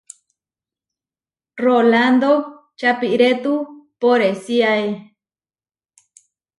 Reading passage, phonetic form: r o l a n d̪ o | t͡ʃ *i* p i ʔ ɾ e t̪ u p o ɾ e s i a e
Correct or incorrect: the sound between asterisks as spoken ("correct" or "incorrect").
incorrect